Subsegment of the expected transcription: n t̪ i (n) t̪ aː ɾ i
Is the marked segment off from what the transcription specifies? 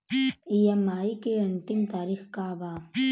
yes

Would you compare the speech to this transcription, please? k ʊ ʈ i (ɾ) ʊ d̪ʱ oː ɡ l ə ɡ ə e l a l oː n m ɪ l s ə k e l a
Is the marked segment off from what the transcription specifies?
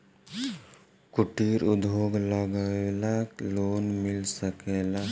no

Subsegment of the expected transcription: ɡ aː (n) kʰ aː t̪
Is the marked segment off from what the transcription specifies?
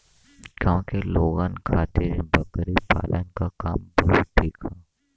no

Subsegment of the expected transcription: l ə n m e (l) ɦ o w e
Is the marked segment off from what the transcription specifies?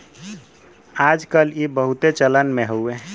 yes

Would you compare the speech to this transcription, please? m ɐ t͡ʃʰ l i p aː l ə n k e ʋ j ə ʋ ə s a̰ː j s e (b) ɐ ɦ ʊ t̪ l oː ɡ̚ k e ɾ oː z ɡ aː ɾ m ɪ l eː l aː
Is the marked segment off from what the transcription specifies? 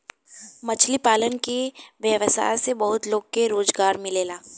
no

